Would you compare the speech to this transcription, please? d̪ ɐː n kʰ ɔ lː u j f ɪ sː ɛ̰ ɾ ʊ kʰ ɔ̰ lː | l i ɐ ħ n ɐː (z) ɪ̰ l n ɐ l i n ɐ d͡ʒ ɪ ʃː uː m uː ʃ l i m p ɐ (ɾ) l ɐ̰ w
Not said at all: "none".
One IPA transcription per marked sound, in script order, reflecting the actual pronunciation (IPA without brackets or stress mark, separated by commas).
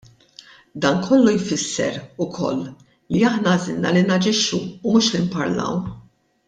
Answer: z, ɾ